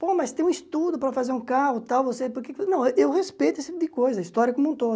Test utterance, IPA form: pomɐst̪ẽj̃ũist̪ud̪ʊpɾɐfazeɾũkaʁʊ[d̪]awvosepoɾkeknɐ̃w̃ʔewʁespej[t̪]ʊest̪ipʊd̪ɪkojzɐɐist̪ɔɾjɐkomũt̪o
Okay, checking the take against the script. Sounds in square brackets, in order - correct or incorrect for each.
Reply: incorrect, correct

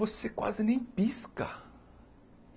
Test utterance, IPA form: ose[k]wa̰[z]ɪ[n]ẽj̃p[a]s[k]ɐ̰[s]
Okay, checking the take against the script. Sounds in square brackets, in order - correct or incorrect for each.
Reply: correct, correct, correct, incorrect, correct, incorrect

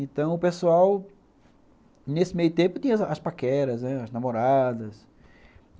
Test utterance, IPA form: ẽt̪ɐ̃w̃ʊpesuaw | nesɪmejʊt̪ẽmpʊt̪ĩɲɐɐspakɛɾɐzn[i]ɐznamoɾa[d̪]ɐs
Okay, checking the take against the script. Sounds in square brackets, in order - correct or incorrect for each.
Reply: incorrect, correct

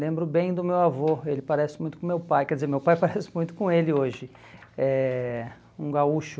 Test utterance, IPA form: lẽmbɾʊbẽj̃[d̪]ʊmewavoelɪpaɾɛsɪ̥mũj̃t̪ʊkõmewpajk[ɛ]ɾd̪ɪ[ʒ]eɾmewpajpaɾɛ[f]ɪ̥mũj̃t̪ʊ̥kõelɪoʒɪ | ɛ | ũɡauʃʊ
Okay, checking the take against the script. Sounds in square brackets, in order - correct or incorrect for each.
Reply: correct, correct, incorrect, incorrect

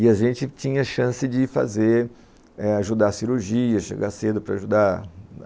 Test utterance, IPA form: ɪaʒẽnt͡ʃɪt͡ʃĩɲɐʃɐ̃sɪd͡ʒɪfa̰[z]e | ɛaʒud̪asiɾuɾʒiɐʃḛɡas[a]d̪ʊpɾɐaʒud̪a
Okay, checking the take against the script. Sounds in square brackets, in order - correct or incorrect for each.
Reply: correct, incorrect

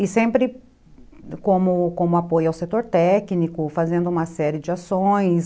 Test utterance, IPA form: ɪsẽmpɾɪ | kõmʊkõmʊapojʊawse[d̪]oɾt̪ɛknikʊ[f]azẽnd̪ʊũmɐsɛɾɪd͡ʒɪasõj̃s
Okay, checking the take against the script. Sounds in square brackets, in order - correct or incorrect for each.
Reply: incorrect, correct

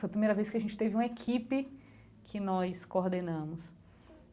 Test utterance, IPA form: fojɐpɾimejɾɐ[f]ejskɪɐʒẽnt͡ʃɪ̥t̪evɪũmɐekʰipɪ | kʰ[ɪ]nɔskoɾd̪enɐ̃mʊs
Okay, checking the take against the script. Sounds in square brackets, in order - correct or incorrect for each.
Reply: incorrect, correct

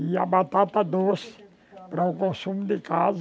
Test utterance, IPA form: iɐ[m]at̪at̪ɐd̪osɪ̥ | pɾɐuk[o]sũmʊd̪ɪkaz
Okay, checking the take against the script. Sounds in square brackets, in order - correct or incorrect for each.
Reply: incorrect, incorrect

